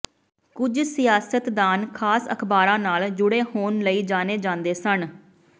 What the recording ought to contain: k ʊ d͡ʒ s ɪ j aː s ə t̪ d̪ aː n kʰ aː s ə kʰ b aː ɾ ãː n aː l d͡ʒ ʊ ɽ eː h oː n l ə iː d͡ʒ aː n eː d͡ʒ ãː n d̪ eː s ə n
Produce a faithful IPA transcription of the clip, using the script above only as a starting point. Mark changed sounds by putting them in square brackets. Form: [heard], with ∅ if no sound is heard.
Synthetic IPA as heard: k ʊ d͡ʒ s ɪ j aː s ə t̪ d̪ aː n kʰ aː s ə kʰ b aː ɾ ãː n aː l d͡ʒ ʊ ɽ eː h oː n l ə iː d͡ʒ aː n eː d͡ʒ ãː n d̪ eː s ə n